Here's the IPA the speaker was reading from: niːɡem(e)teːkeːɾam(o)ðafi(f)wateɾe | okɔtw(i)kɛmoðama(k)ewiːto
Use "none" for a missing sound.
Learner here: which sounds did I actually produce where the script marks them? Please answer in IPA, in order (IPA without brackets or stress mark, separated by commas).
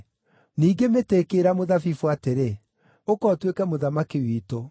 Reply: e, o, f, e, k